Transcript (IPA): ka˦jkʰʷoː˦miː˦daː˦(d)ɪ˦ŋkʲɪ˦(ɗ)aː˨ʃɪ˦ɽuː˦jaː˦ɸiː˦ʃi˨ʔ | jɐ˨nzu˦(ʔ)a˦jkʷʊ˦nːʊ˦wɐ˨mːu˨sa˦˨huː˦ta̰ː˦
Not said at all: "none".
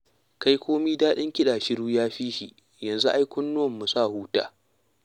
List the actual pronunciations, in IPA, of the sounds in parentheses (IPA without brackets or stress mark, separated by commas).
ɗ, ɗ, ʔ